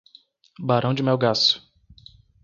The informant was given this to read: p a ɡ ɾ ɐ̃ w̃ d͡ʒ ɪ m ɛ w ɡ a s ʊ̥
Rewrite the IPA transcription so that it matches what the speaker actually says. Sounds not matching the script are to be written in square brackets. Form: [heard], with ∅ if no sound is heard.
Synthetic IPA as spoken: [b] a [∅] ɾ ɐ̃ w̃ d͡ʒ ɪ m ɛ w ɡ a s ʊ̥